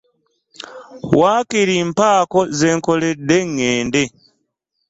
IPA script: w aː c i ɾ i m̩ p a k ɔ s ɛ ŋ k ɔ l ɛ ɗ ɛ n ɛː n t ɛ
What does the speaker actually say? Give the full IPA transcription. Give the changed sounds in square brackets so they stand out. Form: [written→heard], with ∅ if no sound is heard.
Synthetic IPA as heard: w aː [c→k] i ɾ i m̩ p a k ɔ [s→z] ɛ ŋ k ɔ l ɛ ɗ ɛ [n→ŋ] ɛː n [t→d] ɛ